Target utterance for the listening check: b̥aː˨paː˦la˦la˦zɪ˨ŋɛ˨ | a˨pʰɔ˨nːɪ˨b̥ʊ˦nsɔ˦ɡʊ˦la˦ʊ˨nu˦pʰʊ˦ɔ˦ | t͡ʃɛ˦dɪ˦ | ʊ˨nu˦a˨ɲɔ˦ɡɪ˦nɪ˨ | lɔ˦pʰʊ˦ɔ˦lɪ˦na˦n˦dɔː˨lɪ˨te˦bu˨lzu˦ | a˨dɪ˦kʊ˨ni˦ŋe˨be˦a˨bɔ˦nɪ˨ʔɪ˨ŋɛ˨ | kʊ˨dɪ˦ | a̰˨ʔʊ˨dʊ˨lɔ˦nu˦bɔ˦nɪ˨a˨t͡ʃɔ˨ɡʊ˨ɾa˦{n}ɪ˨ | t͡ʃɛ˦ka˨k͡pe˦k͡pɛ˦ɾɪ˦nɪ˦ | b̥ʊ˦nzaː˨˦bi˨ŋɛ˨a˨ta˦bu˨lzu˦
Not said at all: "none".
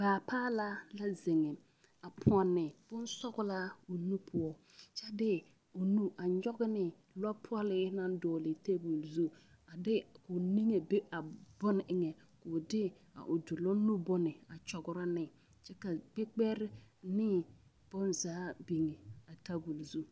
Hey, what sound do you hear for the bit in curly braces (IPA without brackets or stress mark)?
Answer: n